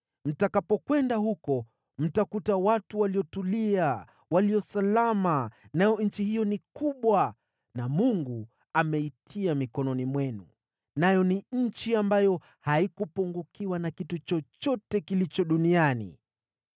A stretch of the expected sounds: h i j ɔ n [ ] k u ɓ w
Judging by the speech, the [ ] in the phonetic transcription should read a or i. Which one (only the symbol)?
i